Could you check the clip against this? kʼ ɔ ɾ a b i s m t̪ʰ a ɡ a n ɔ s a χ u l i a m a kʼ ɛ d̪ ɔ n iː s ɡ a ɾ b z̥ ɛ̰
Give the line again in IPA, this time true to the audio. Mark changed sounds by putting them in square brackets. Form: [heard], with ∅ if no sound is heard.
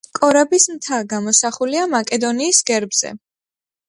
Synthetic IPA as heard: kʼ ɔ ɾ a b i s m t̪ʰ a ɡ a [m] ɔ s a χ u l i a m a kʼ ɛ d̪ ɔ n iː s ɡ [ɛ] ɾ b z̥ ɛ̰